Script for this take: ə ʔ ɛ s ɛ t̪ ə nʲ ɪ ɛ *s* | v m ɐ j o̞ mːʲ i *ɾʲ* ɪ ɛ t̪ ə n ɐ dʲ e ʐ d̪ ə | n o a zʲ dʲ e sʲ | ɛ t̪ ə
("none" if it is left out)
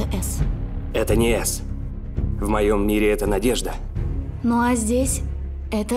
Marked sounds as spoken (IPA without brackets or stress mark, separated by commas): s, ɾʲ